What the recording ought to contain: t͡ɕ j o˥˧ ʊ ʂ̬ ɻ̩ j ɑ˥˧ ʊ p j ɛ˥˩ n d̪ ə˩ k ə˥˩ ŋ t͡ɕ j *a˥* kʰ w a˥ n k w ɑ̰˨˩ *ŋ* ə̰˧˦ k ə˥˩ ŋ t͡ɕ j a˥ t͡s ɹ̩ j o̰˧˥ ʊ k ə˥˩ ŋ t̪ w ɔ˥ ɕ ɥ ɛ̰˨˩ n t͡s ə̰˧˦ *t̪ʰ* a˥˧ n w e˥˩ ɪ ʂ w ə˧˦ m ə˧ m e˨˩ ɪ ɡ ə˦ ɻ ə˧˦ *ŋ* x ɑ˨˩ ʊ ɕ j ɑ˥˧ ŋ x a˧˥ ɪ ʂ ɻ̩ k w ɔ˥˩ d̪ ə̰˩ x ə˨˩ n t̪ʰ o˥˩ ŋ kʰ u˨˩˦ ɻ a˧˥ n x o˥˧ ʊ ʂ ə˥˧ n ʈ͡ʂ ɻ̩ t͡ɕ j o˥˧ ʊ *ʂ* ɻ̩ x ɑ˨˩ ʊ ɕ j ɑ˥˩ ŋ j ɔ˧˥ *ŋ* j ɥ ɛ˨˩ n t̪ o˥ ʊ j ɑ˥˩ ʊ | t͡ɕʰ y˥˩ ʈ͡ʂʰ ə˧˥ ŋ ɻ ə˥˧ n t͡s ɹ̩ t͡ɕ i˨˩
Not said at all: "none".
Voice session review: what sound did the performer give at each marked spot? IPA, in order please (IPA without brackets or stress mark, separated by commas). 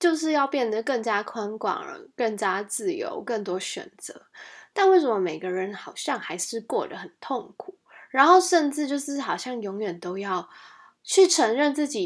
a˥, ŋ, t̪, n, ʂ, ŋ